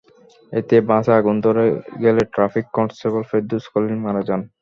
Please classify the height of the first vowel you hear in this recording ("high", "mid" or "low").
mid